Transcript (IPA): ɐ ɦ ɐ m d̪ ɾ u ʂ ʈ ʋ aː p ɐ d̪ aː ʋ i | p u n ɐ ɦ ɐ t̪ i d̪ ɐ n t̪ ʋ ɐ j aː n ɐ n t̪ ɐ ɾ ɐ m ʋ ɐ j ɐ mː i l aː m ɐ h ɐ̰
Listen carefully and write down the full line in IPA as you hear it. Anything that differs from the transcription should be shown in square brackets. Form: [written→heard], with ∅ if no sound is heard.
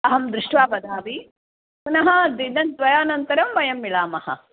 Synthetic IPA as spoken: ɐ ɦ ɐ m d̪ ɾ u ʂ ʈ ʋ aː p ɐ d̪ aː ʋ i | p u n ɐ ɦ ɐ [t̪→d̪] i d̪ ɐ n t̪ ʋ ɐ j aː n ɐ n t̪ ɐ ɾ ɐ m ʋ ɐ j ɐ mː i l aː m ɐ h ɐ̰